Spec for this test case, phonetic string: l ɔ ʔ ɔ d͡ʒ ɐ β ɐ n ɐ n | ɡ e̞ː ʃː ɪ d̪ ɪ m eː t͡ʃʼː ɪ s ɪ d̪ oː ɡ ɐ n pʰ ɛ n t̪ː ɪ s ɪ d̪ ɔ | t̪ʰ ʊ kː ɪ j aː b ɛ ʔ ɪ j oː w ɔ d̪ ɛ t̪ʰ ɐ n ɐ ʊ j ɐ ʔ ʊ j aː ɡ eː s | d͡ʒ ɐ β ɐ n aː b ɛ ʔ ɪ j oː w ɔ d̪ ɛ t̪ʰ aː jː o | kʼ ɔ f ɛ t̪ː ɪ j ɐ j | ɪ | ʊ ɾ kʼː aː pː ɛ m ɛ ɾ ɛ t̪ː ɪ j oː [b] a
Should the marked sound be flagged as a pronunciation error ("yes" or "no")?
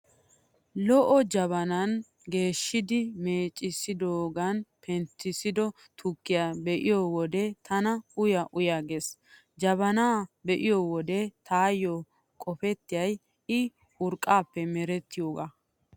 yes